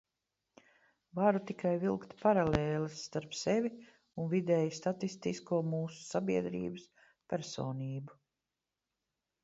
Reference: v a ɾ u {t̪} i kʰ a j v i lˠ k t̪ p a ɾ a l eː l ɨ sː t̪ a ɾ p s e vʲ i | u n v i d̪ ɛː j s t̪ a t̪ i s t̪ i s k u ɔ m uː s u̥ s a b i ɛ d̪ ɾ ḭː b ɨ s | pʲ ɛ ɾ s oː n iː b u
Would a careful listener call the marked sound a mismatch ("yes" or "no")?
no